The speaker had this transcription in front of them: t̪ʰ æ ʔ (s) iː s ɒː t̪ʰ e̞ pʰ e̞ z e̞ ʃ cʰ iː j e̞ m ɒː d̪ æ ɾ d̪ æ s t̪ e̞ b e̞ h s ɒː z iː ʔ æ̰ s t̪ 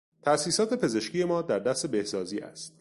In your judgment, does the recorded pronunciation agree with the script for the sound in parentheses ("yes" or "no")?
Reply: yes